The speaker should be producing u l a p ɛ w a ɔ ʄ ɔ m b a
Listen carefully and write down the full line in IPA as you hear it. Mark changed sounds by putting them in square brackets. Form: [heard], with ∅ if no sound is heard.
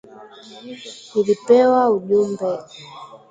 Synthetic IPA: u l [i] p ɛ w a [u] ʄ [u] m b [ɛ]